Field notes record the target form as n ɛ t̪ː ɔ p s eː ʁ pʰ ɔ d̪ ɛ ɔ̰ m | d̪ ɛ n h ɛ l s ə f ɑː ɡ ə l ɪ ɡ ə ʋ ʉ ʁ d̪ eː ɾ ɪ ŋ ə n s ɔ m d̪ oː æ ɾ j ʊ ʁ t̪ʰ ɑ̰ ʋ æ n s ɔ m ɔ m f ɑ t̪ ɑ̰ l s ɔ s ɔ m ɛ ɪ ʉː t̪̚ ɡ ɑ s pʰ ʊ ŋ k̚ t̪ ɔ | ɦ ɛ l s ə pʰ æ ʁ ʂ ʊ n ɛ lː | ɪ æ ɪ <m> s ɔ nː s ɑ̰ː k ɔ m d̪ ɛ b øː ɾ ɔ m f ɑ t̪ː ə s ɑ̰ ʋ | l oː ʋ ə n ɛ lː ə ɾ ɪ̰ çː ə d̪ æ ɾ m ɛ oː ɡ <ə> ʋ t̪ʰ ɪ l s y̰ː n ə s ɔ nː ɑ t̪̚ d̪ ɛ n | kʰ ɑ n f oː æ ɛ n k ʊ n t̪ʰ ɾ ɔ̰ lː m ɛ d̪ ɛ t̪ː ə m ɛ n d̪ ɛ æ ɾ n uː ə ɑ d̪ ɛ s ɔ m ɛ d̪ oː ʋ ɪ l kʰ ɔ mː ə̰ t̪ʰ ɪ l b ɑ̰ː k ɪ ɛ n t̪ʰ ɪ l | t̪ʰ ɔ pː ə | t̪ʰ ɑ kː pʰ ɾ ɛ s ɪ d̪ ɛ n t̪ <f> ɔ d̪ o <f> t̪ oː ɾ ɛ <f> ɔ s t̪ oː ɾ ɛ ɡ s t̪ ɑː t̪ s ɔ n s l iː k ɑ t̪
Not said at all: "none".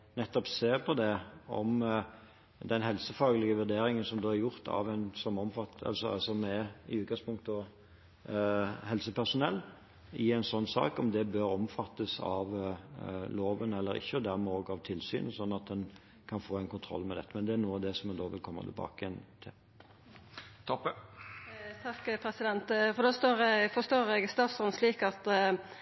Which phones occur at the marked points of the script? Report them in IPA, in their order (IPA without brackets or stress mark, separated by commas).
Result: n, ɑ, f, s, f